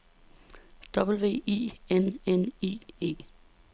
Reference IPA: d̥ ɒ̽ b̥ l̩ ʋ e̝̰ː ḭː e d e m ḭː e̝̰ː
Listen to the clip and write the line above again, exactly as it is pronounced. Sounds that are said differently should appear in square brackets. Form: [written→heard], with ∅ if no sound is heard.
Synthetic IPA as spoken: d̥ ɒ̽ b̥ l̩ ʋ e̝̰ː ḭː e [d→n] e [m→n] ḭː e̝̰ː